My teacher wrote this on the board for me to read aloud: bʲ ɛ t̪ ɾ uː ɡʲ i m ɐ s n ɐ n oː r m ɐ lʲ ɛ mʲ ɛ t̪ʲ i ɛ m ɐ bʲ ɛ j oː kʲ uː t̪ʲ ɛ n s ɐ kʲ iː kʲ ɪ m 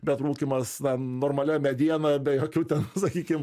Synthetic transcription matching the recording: bʲ ɛ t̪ ɾ uː kʲ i m ɐ s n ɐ n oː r m ɐ lʲ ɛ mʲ ɛ d̪ʲ i ɛ n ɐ bʲ ɛ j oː kʲ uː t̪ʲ ɛ n s ɐ kʲ iː kʲ ɪ m